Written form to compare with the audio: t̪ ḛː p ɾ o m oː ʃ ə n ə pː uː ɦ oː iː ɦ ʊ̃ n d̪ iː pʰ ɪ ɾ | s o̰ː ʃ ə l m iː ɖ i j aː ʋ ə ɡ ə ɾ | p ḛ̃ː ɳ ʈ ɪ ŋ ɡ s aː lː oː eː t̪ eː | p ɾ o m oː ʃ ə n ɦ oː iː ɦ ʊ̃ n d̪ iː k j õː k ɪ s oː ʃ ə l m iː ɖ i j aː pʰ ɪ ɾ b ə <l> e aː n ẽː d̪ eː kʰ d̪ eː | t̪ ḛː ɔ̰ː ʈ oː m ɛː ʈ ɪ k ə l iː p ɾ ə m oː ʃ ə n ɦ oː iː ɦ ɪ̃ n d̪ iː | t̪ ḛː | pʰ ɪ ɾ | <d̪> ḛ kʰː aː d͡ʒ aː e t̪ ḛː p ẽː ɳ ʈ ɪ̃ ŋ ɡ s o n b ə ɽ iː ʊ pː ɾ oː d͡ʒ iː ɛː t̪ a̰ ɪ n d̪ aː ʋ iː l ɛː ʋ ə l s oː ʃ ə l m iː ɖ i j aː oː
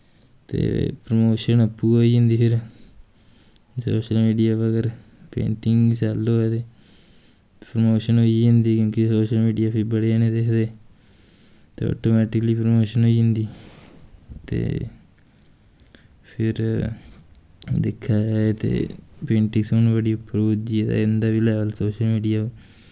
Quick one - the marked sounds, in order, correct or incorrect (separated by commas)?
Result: incorrect, correct